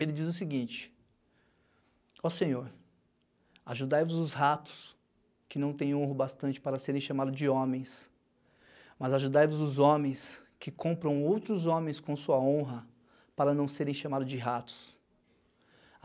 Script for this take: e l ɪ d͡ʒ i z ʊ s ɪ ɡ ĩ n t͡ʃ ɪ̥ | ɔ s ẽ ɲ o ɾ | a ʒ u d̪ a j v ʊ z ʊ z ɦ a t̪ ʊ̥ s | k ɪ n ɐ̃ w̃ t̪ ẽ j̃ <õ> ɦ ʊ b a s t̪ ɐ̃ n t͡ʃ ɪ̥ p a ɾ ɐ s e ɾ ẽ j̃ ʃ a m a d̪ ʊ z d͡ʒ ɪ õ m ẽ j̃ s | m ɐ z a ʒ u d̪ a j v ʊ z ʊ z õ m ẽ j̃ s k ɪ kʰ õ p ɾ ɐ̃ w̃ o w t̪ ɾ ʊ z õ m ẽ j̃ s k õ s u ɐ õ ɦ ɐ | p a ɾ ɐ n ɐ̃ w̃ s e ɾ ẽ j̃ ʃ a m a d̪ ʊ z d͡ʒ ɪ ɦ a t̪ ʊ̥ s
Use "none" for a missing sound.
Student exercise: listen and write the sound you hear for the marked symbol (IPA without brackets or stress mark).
õ